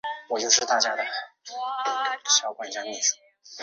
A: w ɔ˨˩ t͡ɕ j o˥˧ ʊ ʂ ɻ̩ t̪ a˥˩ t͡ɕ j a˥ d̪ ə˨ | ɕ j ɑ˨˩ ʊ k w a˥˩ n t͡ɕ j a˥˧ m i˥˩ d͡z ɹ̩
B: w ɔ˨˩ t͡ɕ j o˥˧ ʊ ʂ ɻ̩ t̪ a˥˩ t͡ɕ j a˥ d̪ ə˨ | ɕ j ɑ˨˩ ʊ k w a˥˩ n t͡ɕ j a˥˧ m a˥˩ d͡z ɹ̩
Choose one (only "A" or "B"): A